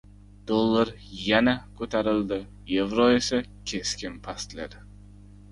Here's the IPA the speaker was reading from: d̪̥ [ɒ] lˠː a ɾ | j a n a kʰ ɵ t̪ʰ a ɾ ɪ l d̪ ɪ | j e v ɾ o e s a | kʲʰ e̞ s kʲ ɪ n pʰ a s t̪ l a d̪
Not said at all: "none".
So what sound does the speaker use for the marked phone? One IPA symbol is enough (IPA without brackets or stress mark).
o